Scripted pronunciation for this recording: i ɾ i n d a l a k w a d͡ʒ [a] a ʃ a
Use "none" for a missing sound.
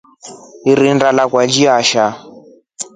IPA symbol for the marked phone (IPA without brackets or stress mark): i